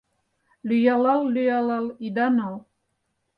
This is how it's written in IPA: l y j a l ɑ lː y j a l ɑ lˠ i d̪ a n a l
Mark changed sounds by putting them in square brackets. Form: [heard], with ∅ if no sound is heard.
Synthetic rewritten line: l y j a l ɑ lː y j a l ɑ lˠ i d̪ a n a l